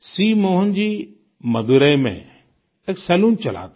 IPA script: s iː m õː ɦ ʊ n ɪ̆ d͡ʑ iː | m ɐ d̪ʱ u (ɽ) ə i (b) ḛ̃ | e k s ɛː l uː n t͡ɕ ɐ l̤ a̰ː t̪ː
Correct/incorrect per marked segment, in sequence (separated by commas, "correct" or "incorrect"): incorrect, incorrect